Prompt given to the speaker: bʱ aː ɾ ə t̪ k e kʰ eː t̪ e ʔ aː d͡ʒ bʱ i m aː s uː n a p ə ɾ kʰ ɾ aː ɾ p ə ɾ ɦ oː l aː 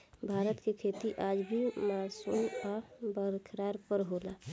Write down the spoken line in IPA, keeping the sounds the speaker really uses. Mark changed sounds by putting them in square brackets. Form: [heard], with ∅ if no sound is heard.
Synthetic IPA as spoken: bʱ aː ɾ ə t̪ k e kʰ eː t̪ [i] ʔ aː d͡ʒ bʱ i m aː s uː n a [b] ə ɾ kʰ ɾ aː ɾ p ə ɾ ɦ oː l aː